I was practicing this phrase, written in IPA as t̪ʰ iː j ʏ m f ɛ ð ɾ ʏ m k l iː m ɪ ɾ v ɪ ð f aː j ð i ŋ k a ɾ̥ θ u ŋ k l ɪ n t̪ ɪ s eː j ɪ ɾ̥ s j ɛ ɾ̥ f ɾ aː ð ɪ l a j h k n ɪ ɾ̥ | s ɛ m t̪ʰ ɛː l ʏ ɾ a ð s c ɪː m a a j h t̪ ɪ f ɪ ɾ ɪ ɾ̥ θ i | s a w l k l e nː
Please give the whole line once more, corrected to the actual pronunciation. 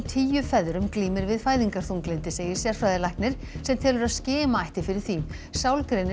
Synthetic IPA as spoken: t̪ʰ iː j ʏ f ɛ ð ɾ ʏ m k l iː m ɪ ɾ v ɪ ð f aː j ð i ŋ k a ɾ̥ θ u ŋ k l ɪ n t̪ ɪ s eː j ɪ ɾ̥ s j ɛ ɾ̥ f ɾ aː ð ɪ l a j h k n ɪ ɾ̥ | s ɛ m t̪ʰ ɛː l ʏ ɾ a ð s c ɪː m a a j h t̪ ɪ f ɪ ɾ ɪ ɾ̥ θ i | s a w l k ɾ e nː

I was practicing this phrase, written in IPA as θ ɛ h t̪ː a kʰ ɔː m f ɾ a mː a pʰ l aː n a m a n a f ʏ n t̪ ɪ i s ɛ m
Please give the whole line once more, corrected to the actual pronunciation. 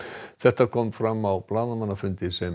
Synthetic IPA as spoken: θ ɛ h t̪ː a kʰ ɔ m f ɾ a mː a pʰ l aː n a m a n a f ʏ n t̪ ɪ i s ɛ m

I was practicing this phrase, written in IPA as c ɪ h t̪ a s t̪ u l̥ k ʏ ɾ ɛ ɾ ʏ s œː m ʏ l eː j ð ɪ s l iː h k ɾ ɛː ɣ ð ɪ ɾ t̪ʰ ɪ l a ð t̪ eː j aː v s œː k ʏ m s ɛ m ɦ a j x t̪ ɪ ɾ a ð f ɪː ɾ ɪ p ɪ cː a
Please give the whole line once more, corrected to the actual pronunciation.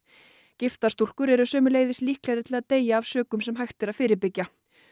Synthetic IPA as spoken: c ɪ f t̪ a s t̪ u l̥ k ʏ ɾ ɛ ɾ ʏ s œː m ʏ l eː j ð ɪ s l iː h k l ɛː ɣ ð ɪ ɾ t̪ʰ ɪ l a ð t̪ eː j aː v s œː k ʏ m s ɛ m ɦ a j x t̪ ɪ ɾ a ð f ɪː ɾ ɪ p ɪ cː a

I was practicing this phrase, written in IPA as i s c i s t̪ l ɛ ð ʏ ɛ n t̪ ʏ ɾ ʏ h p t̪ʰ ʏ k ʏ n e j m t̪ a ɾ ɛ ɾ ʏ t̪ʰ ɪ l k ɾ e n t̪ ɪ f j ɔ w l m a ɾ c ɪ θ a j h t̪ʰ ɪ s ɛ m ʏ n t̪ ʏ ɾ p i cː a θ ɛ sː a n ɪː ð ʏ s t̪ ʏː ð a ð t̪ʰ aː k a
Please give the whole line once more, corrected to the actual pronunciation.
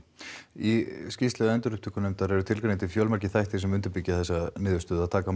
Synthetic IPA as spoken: i s c i s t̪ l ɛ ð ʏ ɛ n t̪ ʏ ɾ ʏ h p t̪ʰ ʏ k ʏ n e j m t̪ a ɾ ɛ ɾ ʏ t̪ʰ ɪ l k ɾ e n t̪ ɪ f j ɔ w l m a ɾ c ɪ θ a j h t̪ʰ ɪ s ɛ m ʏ n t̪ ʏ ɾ p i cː a θ ɛ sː a n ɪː ð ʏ s t̪ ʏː ð a ð t̪ʰ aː k a

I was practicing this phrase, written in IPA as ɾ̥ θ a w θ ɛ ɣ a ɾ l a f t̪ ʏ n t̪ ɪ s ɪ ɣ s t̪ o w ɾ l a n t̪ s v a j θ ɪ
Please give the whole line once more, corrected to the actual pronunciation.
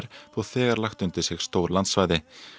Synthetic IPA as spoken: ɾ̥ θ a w θ ɛː ɣ a ɾ l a x t̪ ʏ n t̪ ɪ s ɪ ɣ s t̪ o w ɾ l a n t̪ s v a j ð ɪ

